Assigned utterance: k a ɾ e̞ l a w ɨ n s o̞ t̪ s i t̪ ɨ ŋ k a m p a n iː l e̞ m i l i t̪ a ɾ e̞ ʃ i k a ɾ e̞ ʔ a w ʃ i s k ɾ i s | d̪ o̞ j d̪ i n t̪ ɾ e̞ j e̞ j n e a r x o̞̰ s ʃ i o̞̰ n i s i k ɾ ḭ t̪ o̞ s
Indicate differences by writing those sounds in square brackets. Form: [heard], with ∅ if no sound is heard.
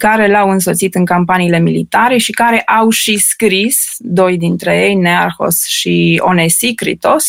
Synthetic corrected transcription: k a ɾ e̞ l a w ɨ n s o̞ t̪ s i t̪ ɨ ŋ k a m p a n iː l e̞ m i l i t̪ a ɾ e̞ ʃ i k a ɾ e̞ ʔ a w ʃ i s k ɾ i s | d̪ o̞ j d̪ i n t̪ ɾ e̞ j e̞ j n e a r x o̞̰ s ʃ i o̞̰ n [e] s i k ɾ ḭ t̪ o̞ s